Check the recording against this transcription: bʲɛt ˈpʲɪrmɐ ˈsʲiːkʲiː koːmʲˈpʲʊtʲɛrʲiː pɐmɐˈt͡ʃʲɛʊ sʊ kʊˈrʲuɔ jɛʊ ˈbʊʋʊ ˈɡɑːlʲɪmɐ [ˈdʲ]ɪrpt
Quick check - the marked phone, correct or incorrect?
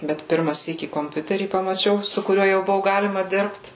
correct